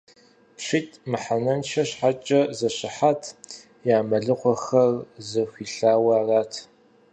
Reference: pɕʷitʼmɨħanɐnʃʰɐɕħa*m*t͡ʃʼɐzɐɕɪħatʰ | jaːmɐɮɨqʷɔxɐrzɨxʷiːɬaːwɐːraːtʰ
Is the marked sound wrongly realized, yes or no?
yes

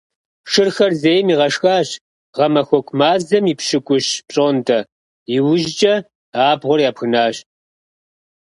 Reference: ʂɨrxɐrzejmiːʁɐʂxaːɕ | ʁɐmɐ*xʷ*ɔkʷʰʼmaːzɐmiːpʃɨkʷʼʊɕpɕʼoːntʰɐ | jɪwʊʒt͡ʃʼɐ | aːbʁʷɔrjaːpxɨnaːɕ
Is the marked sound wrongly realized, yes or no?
no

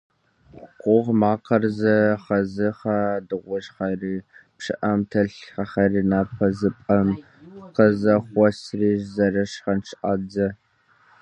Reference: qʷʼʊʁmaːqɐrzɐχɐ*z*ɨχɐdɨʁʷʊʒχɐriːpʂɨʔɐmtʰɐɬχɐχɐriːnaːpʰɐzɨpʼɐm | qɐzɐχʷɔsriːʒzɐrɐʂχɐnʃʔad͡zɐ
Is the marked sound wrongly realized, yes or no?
no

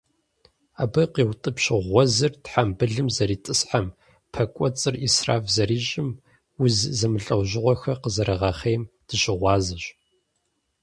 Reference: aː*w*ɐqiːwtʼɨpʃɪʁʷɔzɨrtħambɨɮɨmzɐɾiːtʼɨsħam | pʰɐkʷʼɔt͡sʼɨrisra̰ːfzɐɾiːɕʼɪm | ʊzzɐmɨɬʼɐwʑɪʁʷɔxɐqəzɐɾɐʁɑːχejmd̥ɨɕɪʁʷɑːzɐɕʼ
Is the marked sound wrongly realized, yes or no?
yes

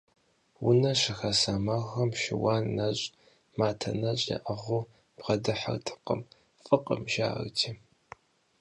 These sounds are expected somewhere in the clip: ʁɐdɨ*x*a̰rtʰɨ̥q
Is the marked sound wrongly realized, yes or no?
yes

